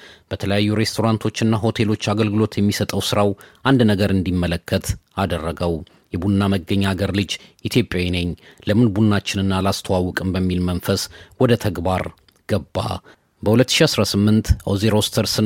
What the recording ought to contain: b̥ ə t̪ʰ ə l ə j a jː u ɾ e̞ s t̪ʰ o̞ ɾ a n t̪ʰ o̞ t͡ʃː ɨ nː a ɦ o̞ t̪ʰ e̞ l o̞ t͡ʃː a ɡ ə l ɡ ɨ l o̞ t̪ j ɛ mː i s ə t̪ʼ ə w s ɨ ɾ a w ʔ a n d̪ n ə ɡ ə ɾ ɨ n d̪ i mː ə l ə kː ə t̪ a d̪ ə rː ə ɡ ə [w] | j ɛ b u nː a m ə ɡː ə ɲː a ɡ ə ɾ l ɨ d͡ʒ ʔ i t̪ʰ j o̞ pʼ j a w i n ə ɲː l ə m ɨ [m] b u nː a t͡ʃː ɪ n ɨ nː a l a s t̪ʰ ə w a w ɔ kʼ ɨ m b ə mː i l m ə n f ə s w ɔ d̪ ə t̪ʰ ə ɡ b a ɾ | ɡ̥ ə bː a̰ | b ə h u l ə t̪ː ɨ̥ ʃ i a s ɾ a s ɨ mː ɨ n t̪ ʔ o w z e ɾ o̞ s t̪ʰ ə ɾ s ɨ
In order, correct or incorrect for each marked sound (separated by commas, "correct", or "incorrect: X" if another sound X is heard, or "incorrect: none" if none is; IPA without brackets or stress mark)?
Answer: correct, incorrect: n